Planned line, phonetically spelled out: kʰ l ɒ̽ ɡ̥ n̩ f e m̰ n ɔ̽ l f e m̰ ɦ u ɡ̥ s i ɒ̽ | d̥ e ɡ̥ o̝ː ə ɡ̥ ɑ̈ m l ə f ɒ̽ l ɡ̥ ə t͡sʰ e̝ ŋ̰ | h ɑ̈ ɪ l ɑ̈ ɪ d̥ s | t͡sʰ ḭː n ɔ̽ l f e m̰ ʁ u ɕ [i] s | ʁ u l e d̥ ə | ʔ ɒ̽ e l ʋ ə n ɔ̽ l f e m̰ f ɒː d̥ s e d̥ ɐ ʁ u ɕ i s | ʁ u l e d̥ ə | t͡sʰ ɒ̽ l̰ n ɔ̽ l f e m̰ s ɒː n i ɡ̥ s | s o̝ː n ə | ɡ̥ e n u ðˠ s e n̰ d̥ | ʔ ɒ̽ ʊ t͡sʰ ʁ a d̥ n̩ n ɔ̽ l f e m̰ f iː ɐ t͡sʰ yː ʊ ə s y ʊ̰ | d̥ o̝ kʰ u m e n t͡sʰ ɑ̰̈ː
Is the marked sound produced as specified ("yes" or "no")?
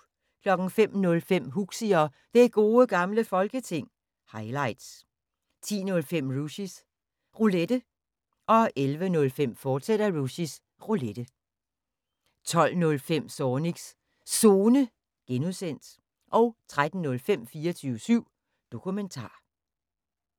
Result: yes